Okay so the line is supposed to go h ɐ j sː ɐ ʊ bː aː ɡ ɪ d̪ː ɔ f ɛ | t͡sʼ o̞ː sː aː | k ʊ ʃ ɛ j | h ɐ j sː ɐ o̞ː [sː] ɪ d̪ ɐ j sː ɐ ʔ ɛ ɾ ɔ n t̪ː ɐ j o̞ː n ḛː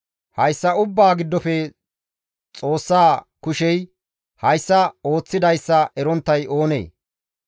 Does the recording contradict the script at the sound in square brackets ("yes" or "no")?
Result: yes